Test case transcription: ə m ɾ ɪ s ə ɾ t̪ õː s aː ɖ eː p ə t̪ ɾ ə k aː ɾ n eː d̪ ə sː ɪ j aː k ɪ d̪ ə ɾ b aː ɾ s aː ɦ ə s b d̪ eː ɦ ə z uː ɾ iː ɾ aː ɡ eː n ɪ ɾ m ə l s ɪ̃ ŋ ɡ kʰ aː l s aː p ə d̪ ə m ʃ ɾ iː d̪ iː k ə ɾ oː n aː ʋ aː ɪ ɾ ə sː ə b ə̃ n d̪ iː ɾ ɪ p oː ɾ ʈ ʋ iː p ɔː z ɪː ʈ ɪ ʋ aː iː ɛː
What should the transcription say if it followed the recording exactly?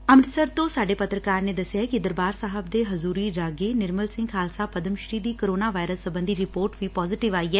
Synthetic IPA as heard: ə m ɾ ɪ s ə ɾ t̪ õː s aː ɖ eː p ə t̪ ɾ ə k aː ɾ n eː d̪ ə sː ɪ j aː k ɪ d̪ ə ɾ b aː ɾ s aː ɦ ə b d̪ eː ɦ ə z uː ɾ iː ɾ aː ɡ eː n ɪ ɾ m ə l s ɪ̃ ŋ ɡ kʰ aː l s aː p ə d̪ ə m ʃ ɾ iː d̪ iː k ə ɾ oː n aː ʋ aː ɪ ɾ ə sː ə b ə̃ n d̪ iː ɾ ɪ p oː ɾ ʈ ʋ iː p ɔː z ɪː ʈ ɪ ʋ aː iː ɛː